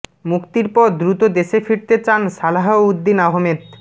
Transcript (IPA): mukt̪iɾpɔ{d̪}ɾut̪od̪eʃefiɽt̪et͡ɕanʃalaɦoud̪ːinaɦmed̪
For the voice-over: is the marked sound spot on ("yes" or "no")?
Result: yes